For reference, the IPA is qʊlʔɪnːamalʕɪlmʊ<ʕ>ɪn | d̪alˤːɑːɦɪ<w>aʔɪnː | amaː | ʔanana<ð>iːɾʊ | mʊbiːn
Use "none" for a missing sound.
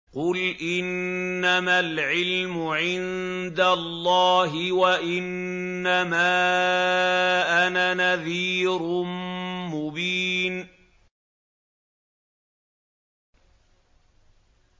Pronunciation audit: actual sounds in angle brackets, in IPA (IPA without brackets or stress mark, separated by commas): ʕ, w, ð